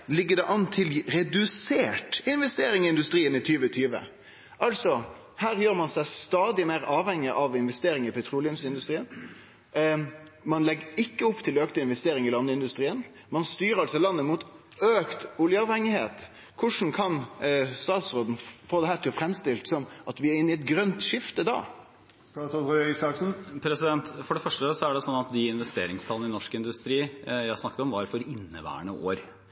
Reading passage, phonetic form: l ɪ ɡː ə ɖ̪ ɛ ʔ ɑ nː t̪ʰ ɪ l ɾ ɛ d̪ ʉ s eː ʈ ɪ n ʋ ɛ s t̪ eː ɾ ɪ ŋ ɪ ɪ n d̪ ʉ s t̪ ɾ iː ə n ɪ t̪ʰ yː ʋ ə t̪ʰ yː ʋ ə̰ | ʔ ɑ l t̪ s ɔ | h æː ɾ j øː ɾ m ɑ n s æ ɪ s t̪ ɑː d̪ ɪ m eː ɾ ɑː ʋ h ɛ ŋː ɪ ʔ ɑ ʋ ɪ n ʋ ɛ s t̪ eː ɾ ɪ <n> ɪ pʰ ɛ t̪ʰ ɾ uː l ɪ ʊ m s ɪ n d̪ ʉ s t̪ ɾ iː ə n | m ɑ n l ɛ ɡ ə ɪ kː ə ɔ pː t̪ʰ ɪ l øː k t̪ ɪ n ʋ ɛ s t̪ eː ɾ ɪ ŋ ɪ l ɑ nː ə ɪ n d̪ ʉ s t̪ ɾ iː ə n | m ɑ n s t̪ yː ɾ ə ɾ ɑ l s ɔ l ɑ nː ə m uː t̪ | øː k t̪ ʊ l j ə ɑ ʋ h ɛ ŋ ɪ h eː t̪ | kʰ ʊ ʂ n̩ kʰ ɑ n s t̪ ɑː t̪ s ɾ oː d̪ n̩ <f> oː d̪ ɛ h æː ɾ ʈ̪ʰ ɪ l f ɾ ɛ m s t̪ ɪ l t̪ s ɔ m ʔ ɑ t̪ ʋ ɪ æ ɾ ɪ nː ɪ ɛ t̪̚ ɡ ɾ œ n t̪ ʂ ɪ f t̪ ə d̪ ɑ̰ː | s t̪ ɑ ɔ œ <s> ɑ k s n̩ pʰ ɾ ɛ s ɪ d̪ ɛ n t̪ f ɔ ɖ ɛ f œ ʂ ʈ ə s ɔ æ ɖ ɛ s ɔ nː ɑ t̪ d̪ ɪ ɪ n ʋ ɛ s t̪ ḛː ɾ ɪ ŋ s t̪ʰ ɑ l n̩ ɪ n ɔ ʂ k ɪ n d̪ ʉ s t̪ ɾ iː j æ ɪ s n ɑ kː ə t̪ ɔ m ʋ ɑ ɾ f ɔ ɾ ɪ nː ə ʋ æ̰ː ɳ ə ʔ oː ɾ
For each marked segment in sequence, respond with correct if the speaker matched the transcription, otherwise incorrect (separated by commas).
incorrect, correct, correct